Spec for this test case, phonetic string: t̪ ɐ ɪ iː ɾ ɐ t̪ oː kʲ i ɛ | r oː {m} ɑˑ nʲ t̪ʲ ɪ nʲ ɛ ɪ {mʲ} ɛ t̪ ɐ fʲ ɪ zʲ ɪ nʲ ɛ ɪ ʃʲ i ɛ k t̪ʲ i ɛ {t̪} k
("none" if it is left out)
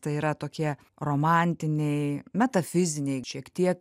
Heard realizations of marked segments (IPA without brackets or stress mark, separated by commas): m, mʲ, none